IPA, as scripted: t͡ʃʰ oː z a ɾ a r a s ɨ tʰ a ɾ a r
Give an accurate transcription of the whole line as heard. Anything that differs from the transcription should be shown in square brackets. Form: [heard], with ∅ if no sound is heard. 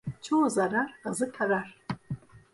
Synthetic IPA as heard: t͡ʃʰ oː z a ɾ a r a [z] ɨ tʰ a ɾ a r